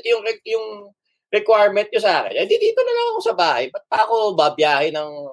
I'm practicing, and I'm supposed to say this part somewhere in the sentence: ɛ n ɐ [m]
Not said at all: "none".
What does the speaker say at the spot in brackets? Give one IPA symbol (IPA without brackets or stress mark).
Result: ŋ